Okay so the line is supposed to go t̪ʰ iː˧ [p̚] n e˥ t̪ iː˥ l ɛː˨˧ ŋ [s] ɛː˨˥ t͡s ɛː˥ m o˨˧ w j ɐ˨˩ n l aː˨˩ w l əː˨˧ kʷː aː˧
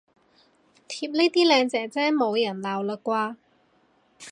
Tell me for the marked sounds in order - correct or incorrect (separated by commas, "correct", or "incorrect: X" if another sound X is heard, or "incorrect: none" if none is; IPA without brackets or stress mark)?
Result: correct, incorrect: t͡s